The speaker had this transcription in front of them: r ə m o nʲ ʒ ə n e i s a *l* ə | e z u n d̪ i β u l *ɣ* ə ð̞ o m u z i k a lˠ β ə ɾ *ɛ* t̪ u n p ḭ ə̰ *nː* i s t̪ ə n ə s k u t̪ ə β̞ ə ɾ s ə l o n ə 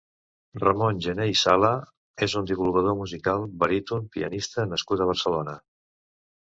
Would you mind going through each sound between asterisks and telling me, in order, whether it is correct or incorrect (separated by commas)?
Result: correct, correct, incorrect, incorrect